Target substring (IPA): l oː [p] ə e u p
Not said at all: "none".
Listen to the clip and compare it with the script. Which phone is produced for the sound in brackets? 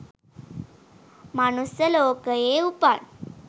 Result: k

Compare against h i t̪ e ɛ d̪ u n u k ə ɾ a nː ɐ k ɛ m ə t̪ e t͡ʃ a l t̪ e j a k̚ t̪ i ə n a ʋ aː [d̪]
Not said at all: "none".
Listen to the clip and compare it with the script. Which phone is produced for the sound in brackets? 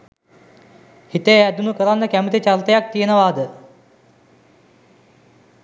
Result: d̪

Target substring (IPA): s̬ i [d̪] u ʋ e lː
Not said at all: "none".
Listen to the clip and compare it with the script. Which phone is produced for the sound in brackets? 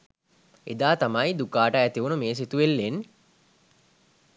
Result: t̪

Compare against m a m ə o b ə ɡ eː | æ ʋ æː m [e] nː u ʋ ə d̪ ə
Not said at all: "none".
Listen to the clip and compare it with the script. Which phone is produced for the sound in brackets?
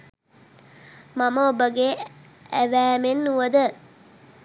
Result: e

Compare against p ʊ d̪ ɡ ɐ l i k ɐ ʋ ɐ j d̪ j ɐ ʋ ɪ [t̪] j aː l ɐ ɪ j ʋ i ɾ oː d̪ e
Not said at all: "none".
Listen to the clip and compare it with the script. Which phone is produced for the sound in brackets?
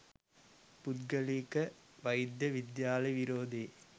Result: d̪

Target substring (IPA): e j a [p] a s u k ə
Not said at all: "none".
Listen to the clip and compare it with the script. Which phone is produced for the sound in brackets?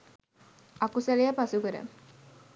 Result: p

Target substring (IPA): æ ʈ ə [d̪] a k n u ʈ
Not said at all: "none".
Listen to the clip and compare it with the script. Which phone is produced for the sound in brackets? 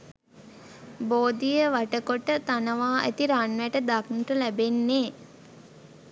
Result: d̪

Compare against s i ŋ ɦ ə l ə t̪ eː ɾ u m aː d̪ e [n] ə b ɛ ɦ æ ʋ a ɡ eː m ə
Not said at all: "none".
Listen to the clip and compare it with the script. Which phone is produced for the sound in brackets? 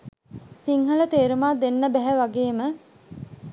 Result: nː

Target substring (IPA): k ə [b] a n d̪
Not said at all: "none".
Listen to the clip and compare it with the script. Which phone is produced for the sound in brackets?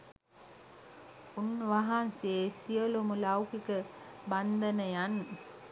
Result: b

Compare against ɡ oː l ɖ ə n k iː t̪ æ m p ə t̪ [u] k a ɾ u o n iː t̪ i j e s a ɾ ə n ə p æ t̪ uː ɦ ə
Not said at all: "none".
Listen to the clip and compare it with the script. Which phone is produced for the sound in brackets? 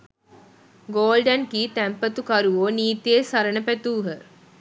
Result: u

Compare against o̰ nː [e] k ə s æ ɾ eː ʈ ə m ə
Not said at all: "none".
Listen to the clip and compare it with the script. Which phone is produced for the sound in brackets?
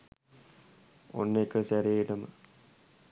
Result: e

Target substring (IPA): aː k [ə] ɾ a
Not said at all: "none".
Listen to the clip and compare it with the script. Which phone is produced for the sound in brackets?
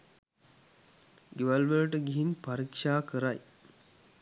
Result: ə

